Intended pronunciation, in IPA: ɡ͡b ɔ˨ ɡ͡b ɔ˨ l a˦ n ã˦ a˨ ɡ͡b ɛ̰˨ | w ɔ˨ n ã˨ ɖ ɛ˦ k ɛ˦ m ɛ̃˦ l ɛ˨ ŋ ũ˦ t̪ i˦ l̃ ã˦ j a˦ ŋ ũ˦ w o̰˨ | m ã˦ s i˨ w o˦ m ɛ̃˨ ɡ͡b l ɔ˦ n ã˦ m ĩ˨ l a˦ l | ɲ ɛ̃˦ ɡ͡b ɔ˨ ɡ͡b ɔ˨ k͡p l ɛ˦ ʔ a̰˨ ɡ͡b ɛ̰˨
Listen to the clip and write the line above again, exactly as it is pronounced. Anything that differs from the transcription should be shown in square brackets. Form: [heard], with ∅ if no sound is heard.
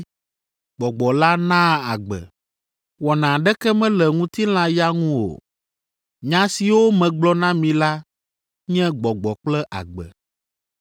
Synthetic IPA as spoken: ɡ͡b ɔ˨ ɡ͡b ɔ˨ l a˦ n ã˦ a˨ ɡ͡b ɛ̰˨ | w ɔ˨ n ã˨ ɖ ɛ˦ k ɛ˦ m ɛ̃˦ l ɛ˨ ŋ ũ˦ t̪ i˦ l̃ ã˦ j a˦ ŋ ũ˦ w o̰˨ | [ɲ] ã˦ s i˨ w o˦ m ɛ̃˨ ɡ͡b l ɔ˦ n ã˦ m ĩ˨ l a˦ [∅] | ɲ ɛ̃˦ ɡ͡b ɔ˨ ɡ͡b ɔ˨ k͡p l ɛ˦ ʔ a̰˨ ɡ͡b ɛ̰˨